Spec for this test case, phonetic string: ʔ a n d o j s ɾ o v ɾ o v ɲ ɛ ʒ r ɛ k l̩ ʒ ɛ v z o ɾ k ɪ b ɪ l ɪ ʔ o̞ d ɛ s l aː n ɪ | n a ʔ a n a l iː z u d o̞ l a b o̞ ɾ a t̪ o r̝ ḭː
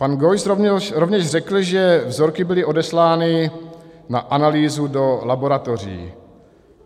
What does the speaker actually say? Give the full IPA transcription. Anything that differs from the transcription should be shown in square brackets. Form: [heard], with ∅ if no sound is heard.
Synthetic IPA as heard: [p] a n [ɡ] o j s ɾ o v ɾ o v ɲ ɛ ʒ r ɛ k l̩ ʒ ɛ v z o ɾ k ɪ b ɪ l ɪ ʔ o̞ d ɛ s l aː n ɪ | n a ʔ a n a l iː z u d o̞ l a b o̞ ɾ a t̪ o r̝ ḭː